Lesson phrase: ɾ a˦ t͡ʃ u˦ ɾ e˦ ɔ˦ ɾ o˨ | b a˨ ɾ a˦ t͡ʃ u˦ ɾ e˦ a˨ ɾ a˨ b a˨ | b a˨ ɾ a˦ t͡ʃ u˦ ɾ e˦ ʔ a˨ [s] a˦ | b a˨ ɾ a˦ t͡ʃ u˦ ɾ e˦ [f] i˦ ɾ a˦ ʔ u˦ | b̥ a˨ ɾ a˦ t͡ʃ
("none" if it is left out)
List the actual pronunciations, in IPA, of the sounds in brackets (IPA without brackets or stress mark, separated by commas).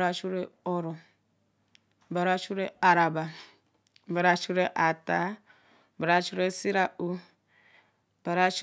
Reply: t, s